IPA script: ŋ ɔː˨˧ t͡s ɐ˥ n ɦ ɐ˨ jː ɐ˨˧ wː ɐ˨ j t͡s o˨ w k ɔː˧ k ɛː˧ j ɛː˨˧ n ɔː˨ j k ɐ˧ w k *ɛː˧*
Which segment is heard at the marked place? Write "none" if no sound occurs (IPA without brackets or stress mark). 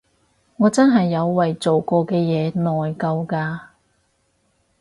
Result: aː˧